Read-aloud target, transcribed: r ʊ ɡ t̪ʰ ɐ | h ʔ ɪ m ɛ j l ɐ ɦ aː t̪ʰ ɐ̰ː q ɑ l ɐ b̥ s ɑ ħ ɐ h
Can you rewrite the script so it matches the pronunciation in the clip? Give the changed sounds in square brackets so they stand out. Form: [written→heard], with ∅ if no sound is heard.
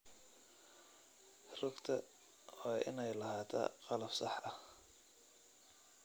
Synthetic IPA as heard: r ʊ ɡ t̪ʰ ɐ | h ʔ ɪ [m→n] ɛ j l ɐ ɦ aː t̪ʰ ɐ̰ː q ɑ l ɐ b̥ s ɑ ħ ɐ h